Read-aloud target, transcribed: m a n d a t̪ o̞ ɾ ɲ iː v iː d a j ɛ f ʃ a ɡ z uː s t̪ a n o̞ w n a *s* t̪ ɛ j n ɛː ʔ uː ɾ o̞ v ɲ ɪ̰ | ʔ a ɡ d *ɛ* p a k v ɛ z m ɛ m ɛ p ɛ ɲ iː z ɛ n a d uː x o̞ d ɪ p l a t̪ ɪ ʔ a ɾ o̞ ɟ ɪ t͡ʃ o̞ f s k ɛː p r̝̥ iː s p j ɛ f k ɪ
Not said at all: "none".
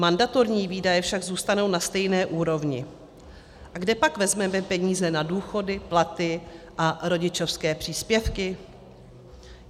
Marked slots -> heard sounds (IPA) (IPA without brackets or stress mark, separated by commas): s, ɛ